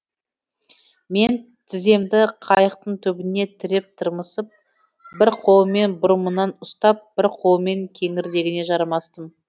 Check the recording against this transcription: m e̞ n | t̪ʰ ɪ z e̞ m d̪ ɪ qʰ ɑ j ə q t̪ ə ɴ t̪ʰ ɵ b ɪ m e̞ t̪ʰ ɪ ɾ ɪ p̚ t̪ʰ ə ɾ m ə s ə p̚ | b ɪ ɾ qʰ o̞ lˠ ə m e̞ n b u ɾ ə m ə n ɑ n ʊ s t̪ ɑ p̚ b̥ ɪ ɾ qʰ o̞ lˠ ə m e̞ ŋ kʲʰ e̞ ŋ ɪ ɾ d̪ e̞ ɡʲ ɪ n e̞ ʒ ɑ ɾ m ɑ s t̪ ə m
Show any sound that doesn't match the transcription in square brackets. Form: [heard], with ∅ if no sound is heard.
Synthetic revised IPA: m e̞ n | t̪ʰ ɪ z e̞ m d̪ ɪ qʰ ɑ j ə q t̪ ə ɴ t̪ʰ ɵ b ɪ [n] e̞ t̪ʰ ɪ ɾ ɪ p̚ t̪ʰ ə ɾ m ə s ə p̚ | b ɪ ɾ qʰ o̞ lˠ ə m e̞ n b [ʊ] ɾ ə m ə n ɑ n ʊ s t̪ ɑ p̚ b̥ ɪ ɾ qʰ o̞ lˠ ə m e̞ ŋ kʲʰ e̞ ŋ ɪ ɾ d̪ e̞ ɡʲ ɪ n e̞ ʒ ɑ ɾ m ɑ s t̪ ə m